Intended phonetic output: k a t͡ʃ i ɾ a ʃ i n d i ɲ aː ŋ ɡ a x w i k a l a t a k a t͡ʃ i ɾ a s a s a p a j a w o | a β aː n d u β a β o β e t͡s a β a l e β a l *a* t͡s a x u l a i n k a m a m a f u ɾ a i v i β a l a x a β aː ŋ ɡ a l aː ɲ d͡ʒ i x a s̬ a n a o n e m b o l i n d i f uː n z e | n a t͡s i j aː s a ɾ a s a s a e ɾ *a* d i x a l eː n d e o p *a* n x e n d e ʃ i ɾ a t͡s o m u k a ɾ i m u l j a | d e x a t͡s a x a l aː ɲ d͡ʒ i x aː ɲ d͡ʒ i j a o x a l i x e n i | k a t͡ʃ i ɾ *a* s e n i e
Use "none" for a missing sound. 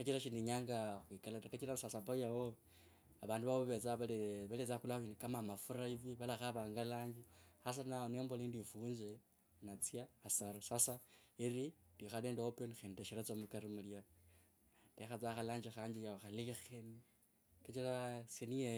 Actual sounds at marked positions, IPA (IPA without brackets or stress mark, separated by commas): e, i, e, a